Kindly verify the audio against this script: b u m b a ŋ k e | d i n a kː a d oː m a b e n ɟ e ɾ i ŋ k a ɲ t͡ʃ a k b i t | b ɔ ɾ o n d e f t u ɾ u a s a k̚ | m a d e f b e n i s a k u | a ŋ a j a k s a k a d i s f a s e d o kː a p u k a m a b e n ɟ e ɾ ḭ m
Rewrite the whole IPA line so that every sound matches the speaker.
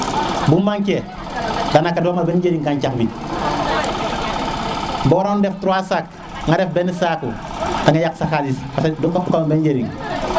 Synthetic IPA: b u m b a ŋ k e | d a n a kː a d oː m a b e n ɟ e ɾ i ŋ k a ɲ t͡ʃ a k b i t | b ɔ ɾ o n d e f t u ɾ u a s a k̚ | ŋ a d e f b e n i s a k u | a ŋ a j a k s a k a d i s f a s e d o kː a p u k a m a b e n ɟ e ɾ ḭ ŋ